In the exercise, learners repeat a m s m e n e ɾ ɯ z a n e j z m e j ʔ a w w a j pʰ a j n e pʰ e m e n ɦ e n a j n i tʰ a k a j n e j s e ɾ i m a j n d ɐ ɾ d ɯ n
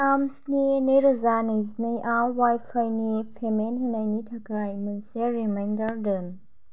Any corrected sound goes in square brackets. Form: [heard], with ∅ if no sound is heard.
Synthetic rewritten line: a m s [n] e n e ɾ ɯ z a n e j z [n] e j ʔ a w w a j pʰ a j n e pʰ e m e n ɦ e n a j n i tʰ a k a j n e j s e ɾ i m a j n d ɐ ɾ d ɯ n